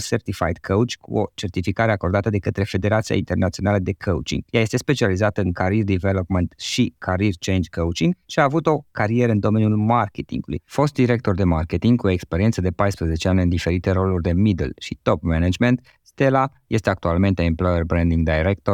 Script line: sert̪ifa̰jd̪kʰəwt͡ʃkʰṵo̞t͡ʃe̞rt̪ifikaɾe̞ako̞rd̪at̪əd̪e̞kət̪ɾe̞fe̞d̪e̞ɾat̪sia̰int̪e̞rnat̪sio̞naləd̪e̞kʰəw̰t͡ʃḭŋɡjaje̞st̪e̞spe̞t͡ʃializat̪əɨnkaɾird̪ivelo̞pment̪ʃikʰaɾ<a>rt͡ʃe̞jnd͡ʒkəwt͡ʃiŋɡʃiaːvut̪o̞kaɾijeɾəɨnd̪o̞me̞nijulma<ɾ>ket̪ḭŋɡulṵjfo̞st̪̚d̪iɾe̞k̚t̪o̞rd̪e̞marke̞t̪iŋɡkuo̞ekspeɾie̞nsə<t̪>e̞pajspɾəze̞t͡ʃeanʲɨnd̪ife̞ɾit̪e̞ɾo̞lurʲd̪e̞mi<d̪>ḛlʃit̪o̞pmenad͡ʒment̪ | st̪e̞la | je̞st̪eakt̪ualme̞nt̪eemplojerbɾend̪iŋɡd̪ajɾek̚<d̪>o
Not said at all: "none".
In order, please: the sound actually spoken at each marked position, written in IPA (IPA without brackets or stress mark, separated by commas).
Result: i, r, d̪, d̪, t̪